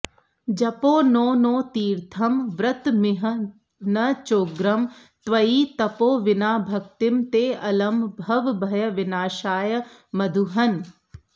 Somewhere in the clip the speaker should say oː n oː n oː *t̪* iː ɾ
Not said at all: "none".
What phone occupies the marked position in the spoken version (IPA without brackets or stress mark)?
t̪